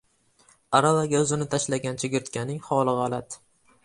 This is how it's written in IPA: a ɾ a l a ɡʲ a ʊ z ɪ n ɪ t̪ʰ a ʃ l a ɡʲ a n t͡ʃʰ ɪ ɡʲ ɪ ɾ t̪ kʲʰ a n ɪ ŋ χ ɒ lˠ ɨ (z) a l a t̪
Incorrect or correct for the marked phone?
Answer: incorrect: ʁ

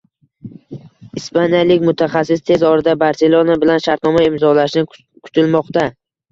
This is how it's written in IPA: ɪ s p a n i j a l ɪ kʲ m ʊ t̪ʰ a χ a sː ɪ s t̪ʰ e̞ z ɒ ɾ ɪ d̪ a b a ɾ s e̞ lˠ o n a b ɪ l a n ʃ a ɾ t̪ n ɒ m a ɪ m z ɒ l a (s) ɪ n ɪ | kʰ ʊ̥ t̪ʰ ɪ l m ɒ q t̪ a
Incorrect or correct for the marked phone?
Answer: incorrect: ʃ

